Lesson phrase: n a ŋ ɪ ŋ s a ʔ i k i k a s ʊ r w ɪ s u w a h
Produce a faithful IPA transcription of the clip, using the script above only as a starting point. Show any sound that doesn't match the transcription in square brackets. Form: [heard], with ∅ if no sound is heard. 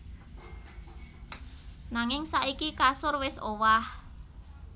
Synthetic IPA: n a ŋ ɪ ŋ s a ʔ i k i k a s ʊ r w ɪ s [o] w a h